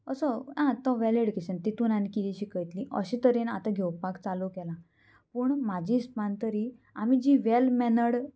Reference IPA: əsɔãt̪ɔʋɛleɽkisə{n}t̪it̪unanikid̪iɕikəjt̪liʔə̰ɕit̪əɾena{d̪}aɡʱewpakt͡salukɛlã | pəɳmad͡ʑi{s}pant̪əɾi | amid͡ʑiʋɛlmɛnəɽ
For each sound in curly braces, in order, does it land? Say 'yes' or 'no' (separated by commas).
yes, no, yes